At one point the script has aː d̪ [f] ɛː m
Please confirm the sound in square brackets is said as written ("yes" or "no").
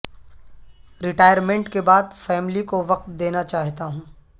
yes